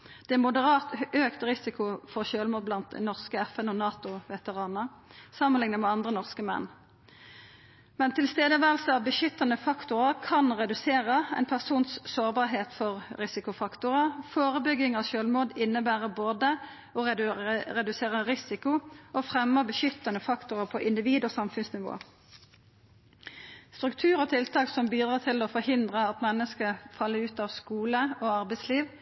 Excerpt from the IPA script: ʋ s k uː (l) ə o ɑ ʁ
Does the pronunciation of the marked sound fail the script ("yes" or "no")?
no